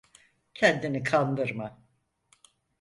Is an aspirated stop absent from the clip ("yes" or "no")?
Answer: no